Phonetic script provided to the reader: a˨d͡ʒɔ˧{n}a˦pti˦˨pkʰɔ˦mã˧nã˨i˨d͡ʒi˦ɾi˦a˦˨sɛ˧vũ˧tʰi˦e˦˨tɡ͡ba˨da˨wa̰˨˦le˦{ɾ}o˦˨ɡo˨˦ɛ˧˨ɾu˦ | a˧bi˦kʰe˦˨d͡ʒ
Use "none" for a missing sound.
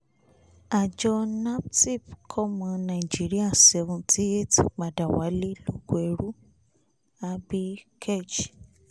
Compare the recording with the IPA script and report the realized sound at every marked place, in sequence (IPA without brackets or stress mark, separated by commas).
n, l